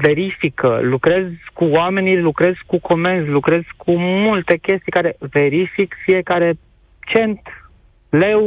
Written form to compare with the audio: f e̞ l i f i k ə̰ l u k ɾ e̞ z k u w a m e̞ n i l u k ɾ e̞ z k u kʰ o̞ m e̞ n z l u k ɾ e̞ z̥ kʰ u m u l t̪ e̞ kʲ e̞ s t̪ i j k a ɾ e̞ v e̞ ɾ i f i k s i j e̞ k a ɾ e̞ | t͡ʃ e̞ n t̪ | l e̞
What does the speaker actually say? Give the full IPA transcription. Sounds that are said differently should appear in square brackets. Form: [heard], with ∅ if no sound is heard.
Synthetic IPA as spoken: [v] e̞ [ɾ] i f i k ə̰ l u k ɾ e̞ z k u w a m e̞ n i l u k ɾ e̞ z k u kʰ o̞ m e̞ n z l u k ɾ e̞ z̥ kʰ u m u l t̪ e̞ kʲ e̞ s t̪ i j k a ɾ e̞ v e̞ ɾ i f i k [f] i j e̞ k a ɾ e̞ | t͡ʃ e̞ n t̪ | l e̞